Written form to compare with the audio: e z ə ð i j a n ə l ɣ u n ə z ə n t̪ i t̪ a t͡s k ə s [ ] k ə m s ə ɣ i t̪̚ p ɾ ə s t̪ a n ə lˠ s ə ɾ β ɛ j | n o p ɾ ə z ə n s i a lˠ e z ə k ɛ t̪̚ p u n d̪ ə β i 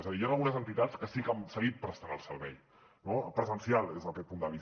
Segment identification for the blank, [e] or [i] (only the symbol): i